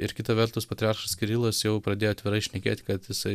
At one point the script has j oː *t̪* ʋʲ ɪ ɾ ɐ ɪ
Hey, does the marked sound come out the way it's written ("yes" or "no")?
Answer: yes